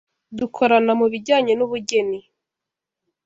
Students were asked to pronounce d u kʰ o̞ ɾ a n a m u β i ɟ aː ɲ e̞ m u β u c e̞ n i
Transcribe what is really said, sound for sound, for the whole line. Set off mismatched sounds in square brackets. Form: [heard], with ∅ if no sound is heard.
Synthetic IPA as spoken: d u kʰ o̞ ɾ a n a m u β i ɟ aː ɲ e̞ [n] u β u [ɟ] e̞ n i